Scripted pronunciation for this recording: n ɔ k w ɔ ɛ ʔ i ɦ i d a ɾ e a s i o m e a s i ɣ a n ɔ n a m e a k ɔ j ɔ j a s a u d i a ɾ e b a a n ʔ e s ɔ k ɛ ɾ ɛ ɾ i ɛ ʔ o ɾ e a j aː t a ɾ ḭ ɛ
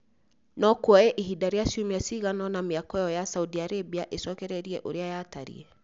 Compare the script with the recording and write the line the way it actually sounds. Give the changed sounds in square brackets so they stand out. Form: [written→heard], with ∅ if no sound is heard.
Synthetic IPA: n ɔ k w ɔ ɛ ʔ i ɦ i d a ɾ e a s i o m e a s i ɣ a n ɔ n a m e a k ɔ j ɔ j a s a u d i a ɾ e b [a→i] a [n→∅] ʔ e s ɔ k ɛ ɾ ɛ ɾ i ɛ ʔ o ɾ e a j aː t a ɾ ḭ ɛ